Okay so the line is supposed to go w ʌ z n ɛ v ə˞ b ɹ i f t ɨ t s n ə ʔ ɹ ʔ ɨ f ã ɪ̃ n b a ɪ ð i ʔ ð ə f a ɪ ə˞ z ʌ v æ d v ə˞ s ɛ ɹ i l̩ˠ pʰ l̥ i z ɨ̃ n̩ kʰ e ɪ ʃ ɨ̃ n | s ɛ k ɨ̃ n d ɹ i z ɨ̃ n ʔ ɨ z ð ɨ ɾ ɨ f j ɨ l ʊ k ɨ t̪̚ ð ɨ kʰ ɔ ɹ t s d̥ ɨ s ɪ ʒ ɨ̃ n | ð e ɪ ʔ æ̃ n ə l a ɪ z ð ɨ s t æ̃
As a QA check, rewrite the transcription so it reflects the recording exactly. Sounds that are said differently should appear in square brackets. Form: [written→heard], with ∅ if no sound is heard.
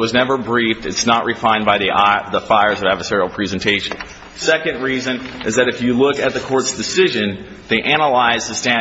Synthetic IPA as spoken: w ʌ z n ɛ v ə˞ b ɹ i f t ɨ t s n ə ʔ ɹ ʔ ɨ f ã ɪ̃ n b a ɪ ð i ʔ ð ə f a ɪ ə˞ z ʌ v æ d v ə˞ s ɛ ɹ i l̩ˠ pʰ [l̥→ɹ̥] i z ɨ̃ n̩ [kʰ→tʰ] e ɪ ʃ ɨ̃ n | s ɛ k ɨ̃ n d ɹ i z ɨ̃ n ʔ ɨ z ð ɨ ɾ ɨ f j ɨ l ʊ k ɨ t̪̚ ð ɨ kʰ ɔ ɹ t s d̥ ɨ s ɪ ʒ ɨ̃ n | ð e ɪ ʔ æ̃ n ə l a ɪ z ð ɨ s t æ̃